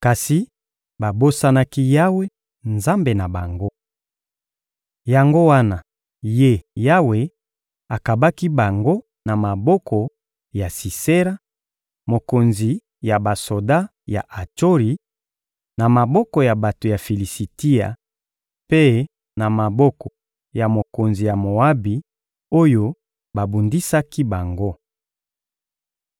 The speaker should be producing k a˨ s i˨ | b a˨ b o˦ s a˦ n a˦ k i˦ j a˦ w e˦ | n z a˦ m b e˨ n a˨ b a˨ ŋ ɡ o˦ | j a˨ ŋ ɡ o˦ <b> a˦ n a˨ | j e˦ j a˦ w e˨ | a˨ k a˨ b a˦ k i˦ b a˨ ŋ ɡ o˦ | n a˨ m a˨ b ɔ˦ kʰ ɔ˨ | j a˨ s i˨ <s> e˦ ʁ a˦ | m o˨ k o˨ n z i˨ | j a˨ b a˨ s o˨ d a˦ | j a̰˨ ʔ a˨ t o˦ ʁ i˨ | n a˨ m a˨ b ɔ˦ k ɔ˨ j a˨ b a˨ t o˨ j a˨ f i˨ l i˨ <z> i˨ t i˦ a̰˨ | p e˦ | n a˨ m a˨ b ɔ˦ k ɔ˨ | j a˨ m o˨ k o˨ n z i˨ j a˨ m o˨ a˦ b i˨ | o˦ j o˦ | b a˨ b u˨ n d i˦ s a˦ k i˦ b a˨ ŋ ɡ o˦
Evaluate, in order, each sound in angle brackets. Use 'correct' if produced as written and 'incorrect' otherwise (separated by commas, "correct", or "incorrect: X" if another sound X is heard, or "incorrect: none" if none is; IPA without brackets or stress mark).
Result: incorrect: w, correct, incorrect: s